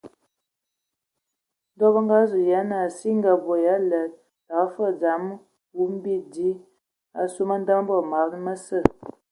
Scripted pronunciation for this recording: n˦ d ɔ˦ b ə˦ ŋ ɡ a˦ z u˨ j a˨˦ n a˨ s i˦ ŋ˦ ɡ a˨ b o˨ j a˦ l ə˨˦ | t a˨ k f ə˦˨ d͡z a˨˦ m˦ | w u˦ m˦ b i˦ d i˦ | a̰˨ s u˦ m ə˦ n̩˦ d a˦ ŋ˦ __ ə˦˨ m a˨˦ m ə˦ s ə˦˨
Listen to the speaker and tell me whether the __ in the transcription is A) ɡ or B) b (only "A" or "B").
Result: B